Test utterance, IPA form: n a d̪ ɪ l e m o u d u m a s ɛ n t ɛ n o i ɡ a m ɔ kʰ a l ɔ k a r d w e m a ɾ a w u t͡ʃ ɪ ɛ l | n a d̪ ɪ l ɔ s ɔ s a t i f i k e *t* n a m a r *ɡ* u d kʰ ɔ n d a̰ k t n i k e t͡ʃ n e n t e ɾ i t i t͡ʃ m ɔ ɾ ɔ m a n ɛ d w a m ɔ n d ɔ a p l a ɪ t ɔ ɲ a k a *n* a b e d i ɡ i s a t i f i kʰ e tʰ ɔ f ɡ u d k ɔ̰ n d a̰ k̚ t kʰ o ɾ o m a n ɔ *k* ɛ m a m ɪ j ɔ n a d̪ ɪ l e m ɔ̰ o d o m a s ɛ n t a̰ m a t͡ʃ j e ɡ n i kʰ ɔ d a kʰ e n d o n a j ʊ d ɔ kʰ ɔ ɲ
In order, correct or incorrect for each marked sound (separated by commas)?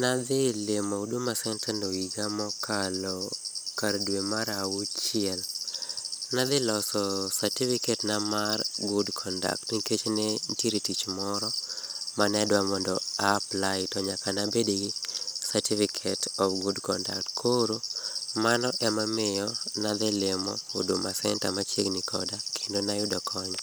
correct, correct, correct, incorrect